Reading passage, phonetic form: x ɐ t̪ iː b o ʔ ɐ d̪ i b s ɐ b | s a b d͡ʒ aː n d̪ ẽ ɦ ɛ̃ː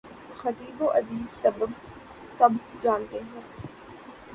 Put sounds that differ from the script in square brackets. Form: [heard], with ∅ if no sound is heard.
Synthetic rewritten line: x ɐ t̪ iː b o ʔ ɐ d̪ [iː] b s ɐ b | s [ɐ] b d͡ʒ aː n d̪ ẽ ɦ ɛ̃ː